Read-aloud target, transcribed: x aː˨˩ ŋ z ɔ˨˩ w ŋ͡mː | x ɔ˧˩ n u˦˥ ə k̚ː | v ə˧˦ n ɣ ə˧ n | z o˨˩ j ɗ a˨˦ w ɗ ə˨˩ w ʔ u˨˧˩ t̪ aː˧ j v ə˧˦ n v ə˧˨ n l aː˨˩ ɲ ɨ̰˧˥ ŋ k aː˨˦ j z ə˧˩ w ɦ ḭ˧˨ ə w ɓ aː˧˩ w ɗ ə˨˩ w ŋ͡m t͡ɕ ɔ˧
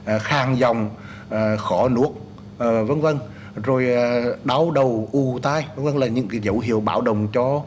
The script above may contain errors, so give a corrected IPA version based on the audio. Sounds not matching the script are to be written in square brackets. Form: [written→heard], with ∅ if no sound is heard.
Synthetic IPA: x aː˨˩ ŋ z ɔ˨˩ w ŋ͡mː | x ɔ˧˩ n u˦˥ ə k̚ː | v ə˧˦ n [ɣ→v] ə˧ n | z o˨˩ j ɗ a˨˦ w ɗ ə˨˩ w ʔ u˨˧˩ t̪ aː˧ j v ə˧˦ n v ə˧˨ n l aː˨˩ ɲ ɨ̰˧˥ ŋ k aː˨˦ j z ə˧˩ w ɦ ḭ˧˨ ə w ɓ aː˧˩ w ɗ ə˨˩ w ŋ͡m t͡ɕ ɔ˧